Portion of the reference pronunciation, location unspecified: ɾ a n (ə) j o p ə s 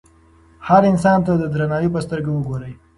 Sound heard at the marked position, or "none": ɑ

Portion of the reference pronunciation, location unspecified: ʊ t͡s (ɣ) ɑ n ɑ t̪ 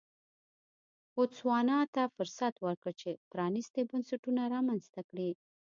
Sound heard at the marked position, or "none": w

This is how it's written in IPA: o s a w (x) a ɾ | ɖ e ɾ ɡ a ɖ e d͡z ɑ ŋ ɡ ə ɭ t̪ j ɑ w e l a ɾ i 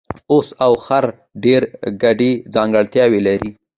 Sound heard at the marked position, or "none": x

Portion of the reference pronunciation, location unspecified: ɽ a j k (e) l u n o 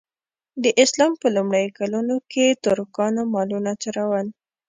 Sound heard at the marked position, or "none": a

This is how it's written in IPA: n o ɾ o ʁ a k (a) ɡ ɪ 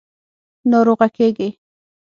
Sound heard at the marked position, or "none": e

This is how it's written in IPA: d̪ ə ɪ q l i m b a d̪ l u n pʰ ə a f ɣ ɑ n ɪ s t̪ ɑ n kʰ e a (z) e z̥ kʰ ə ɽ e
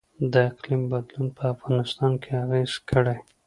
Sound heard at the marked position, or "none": ɣ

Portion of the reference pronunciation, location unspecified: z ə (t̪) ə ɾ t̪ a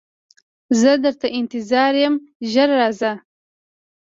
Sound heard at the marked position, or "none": d̪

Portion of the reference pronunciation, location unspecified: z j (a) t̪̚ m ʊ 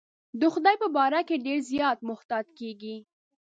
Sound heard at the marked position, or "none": ɑ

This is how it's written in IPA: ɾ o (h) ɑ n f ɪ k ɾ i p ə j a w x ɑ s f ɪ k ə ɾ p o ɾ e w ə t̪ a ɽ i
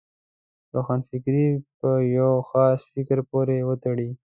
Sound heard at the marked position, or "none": x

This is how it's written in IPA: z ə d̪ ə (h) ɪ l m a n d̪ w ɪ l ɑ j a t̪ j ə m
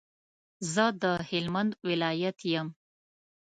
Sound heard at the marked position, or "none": h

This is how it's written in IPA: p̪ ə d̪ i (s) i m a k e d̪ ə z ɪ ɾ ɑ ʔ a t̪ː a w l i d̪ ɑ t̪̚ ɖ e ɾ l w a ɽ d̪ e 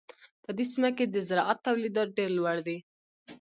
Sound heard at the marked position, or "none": s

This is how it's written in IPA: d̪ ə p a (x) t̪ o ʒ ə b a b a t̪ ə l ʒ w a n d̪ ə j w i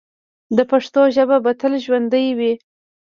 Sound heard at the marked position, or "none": ʂ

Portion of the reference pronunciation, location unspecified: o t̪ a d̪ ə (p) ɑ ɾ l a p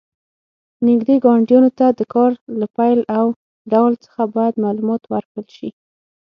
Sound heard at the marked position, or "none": k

